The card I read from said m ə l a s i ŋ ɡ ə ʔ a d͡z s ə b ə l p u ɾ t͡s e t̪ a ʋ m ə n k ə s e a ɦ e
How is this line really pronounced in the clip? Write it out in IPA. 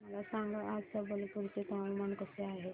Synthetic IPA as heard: m ə l a s a ŋ ɡ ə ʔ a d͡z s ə b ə l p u ɾ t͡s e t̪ a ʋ m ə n k ə s e a ɦ e